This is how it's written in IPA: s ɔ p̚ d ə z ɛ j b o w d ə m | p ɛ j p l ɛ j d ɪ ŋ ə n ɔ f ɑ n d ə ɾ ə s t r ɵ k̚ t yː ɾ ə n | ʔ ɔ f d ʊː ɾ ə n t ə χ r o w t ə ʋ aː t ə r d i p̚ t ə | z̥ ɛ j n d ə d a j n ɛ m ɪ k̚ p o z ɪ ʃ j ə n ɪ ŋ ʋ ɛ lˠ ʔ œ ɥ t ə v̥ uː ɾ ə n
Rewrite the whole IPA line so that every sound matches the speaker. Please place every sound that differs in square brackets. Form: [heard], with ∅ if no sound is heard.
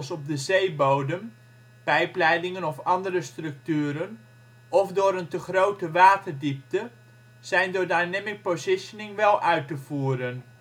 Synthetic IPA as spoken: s ɔ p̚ d ə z [e] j b o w d ə m | p ɛ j p l ɛ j d ɪ ŋ ə n ɔ f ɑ n d ə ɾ ə s t r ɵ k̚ t yː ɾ ə n | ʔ ɔ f d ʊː ɾ ə n t ə χ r o w t ə ʋ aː t ə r d i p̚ t ə | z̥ ɛ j n d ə d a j n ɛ m ɪ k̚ p o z ɪ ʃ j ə n ɪ ŋ ʋ ɛ lˠ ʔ œ ɥ t ə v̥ uː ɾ ə n